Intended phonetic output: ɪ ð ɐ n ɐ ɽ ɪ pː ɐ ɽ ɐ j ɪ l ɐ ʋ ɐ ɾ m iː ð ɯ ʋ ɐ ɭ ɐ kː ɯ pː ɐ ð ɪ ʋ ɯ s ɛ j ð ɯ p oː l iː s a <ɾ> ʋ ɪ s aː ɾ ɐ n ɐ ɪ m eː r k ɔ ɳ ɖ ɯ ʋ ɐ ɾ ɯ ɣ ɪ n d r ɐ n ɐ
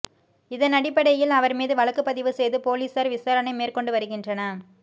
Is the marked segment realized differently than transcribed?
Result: no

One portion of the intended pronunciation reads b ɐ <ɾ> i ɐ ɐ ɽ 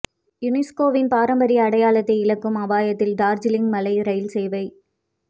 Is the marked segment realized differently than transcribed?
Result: no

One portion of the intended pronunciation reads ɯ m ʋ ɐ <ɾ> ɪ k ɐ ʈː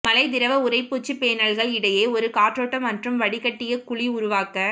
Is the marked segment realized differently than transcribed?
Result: yes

